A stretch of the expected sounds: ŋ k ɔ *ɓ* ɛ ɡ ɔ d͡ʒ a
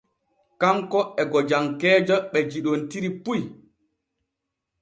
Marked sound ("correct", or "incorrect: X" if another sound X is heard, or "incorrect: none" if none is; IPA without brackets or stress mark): incorrect: none